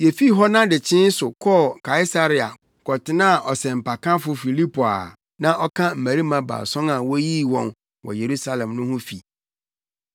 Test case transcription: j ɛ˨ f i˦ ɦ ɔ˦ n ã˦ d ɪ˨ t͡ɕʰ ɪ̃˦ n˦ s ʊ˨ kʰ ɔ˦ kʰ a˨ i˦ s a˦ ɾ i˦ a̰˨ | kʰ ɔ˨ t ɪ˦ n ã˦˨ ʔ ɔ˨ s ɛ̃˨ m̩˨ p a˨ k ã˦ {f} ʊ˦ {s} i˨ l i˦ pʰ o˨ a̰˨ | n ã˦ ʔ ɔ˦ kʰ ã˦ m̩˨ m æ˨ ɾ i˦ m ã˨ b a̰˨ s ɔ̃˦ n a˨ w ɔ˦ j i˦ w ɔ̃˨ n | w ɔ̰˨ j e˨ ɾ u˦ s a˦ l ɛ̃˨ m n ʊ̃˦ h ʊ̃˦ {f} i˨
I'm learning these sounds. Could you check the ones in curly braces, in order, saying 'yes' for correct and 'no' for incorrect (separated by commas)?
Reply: yes, no, yes